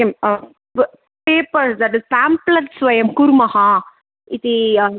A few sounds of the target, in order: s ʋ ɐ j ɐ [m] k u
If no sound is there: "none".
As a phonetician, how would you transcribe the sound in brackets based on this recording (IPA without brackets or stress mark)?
m